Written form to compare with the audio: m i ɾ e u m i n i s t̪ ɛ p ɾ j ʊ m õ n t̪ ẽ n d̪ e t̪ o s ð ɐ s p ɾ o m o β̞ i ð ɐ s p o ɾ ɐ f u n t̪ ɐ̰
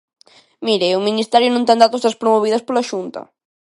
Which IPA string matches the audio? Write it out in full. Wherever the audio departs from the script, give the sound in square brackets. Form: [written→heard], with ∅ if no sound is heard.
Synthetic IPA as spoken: m i ɾ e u m i n i s t̪ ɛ [p→∅] ɾ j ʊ [m→n] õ n t̪ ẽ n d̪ [e→a] t̪ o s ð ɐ s p ɾ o m o β̞ i ð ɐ s p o [ɾ→l] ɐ [f→ʃ] u n t̪ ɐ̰